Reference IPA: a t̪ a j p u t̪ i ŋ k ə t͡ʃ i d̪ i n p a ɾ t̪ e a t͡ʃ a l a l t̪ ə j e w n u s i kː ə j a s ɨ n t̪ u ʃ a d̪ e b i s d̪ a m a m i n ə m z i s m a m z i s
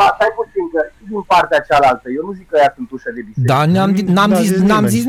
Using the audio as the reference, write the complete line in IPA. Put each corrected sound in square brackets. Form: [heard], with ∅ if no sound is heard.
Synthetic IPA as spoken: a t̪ a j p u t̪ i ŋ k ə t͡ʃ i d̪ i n p a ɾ t̪ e a t͡ʃ a l a l t̪ ə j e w n u [z] i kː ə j a s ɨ n t̪ u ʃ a d̪ e b i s d̪ a [n] a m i n [a] m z i s [n] a m z i s